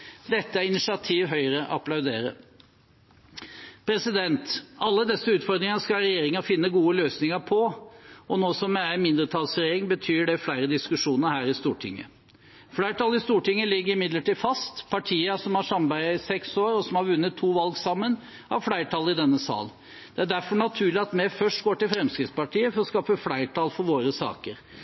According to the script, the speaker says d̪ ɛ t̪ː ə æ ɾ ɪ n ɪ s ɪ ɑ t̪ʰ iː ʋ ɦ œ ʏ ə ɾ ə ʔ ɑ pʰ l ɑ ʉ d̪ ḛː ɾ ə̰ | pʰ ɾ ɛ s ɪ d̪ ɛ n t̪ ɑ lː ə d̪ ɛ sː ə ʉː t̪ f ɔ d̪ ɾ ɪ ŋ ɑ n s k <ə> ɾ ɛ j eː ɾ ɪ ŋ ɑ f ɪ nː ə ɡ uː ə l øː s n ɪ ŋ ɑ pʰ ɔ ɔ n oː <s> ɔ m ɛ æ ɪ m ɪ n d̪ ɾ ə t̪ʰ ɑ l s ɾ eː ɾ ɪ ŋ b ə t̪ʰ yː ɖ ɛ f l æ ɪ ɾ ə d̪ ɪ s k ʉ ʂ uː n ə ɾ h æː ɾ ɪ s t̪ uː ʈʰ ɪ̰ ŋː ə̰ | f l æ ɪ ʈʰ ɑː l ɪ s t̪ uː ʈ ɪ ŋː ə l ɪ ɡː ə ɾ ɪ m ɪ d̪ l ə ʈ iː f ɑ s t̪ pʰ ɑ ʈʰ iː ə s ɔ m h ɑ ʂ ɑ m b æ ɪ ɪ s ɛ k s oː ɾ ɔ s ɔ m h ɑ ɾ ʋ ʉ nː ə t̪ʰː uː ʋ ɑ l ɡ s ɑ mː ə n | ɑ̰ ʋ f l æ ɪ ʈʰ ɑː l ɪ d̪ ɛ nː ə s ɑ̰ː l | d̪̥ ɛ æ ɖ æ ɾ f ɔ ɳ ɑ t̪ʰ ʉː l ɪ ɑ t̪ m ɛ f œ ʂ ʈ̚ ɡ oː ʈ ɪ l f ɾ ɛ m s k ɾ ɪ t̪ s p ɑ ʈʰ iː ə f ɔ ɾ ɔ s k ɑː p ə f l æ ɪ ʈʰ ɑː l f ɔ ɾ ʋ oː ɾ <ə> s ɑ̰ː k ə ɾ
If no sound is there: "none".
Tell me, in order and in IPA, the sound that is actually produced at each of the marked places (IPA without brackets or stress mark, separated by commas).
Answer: ɑ, s, ə